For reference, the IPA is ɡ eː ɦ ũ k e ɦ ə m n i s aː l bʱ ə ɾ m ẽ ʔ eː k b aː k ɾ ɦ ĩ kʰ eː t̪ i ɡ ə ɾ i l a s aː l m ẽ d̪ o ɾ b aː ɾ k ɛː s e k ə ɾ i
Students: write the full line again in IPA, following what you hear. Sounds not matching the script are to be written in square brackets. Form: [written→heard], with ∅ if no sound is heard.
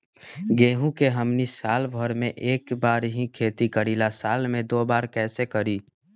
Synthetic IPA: ɡ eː ɦ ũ k e ɦ ə m n i s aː l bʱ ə ɾ m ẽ ʔ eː k b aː [k→∅] ɾ ɦ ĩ kʰ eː t̪ i [ɡ→k] ə ɾ i l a s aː l m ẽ d̪ o [ɾ→∅] b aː ɾ k ɛː s e k ə ɾ i